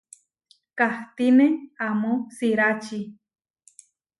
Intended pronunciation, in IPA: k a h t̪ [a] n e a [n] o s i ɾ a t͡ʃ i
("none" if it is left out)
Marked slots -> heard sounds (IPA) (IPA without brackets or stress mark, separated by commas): i, m